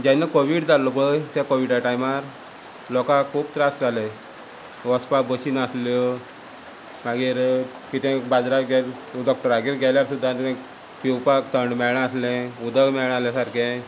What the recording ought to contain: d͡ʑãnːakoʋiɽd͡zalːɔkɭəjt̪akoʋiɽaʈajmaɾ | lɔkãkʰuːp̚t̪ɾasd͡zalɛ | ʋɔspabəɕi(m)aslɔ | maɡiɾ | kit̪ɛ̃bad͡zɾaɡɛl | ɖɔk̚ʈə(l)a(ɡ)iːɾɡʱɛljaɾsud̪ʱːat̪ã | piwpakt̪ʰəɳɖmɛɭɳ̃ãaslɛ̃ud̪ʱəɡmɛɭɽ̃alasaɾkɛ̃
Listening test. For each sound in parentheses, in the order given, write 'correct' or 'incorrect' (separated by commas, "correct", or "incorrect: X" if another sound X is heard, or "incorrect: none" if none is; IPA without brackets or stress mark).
incorrect: n, incorrect: ɾ, correct